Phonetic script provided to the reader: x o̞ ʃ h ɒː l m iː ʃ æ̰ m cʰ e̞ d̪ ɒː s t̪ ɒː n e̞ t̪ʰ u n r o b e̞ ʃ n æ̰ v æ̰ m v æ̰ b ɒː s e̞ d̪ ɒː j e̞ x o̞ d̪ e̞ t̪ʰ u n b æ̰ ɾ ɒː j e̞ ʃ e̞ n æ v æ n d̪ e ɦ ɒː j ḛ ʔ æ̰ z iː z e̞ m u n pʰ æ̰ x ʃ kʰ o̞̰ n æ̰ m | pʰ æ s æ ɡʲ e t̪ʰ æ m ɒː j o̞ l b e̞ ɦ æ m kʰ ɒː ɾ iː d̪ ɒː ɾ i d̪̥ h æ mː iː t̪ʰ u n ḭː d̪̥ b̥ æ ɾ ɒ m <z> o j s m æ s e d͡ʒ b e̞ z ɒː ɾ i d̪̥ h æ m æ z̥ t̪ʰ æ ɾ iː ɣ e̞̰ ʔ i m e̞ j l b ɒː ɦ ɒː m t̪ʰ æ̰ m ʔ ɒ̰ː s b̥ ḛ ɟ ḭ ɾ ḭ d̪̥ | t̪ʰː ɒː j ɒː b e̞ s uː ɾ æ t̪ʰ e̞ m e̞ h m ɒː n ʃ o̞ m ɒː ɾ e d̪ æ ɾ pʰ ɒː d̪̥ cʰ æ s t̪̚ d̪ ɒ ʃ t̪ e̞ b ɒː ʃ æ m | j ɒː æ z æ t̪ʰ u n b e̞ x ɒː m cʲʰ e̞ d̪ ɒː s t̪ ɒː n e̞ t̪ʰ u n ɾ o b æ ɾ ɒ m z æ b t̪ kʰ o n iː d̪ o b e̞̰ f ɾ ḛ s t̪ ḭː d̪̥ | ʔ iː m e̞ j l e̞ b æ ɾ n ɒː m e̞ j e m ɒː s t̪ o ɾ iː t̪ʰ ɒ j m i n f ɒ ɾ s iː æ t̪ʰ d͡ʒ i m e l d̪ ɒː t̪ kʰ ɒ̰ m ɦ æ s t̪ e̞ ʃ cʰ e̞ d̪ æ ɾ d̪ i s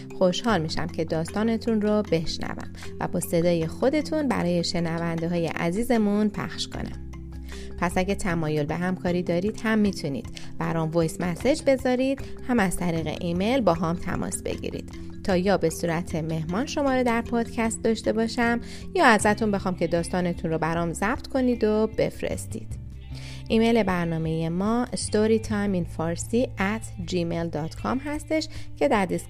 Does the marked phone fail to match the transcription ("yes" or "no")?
yes